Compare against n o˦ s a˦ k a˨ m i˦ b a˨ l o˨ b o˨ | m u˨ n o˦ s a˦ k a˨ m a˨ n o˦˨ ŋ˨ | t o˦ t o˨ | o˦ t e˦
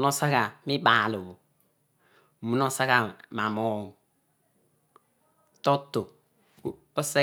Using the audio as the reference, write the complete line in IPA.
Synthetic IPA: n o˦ s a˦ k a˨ m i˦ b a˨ l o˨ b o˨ | m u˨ n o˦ s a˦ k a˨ m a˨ m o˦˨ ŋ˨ | t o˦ t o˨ | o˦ s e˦

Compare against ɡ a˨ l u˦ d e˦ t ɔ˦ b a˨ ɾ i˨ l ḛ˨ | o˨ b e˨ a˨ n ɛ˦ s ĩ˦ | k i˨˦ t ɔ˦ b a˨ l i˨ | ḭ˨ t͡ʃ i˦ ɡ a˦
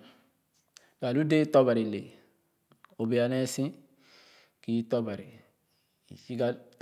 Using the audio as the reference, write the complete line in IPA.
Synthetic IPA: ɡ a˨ l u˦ d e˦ t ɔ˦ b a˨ ɾ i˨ l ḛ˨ | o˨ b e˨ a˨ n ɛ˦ s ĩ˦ | k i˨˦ t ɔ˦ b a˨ ɾ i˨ | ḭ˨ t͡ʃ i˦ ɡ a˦

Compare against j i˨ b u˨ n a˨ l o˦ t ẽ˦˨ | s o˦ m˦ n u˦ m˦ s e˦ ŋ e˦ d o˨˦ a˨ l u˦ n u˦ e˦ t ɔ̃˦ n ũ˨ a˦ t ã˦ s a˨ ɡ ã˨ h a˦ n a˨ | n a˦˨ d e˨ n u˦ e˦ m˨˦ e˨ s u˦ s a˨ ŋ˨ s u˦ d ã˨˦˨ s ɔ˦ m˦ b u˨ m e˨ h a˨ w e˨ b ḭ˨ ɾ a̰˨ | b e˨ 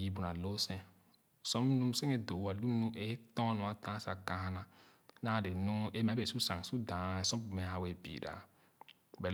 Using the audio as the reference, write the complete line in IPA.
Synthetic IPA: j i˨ b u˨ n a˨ l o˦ s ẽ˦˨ | s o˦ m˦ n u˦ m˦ s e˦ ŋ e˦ d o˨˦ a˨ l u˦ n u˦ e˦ t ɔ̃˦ n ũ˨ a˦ t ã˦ s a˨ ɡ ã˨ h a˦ n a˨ | n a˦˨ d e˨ n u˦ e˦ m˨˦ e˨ s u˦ s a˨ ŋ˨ s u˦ d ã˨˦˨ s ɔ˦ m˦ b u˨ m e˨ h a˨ w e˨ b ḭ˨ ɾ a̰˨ | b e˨

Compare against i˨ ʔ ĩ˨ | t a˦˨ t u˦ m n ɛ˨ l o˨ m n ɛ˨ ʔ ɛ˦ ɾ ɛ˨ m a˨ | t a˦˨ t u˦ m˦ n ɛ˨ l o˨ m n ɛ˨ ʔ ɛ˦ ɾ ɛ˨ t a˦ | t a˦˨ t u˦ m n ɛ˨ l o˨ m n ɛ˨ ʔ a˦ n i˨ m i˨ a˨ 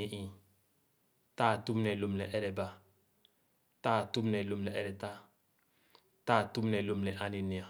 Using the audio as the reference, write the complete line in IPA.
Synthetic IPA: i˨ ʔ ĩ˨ | t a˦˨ t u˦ m n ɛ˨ l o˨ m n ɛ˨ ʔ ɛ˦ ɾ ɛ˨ b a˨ | t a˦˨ t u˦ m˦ n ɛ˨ l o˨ m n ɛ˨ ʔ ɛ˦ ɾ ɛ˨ t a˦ | t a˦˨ t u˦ m n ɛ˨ l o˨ m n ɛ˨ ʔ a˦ n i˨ n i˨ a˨

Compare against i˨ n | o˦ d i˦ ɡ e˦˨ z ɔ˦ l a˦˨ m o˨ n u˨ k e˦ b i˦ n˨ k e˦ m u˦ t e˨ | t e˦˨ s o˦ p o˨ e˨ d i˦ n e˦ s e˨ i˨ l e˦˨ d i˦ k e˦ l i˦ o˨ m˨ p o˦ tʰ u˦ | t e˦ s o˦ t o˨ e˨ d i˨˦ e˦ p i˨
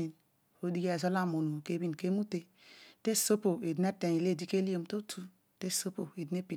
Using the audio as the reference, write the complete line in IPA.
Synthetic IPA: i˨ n | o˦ d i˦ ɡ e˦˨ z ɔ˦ l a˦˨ m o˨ n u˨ k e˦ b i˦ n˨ k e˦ m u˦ t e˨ | t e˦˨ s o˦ p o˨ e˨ d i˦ n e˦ t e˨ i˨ l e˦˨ d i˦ k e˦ l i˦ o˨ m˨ t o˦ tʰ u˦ | t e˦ s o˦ p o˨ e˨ d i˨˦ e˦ p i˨

